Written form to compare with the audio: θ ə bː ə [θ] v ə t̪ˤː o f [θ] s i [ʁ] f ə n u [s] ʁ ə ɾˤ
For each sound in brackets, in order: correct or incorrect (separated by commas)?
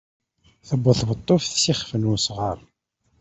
correct, correct, incorrect, correct